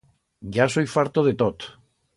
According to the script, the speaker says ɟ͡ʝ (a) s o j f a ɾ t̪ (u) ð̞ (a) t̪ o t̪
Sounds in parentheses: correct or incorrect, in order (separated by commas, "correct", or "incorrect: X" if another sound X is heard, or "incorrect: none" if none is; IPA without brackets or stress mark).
correct, incorrect: o, incorrect: e